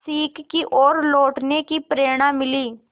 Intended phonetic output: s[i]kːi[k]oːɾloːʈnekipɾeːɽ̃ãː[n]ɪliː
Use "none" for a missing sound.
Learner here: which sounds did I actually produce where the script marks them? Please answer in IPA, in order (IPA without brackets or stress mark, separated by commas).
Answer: iː, ʔ, m